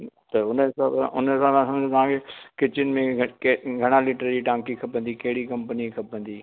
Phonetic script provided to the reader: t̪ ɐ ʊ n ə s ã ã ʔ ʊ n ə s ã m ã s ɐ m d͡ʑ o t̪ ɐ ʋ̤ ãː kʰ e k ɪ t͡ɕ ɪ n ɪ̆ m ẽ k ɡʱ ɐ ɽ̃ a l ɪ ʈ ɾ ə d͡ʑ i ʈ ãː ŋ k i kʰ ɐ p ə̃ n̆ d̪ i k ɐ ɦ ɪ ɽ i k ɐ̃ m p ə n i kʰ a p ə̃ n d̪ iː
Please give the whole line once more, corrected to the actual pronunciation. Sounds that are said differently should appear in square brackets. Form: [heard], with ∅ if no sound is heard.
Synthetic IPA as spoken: t̪ ɐ ʊ n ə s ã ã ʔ ʊ n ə s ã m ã s ɐ m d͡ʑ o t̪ ɐ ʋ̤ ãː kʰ e k ɪ t͡ɕ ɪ n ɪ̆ m ẽ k ɡʱ ɐ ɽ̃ a l ɪ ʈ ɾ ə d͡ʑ i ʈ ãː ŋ k i kʰ ɐ p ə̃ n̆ d̪ i k ɐ ɦ ɪ ɽ i k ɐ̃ m p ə n i kʰ [ɐ] p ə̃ n d̪ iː